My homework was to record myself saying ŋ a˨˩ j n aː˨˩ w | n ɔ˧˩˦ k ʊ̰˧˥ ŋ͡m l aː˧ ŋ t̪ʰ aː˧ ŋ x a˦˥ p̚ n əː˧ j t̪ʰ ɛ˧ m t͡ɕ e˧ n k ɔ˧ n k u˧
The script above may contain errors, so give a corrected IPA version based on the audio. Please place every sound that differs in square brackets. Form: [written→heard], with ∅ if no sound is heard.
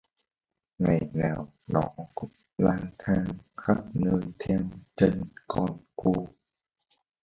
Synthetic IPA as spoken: ŋ a˨˩ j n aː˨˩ w | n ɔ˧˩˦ k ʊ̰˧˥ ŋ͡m l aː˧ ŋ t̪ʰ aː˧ ŋ x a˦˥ p̚ n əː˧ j t̪ʰ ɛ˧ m t͡ɕ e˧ n k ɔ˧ n k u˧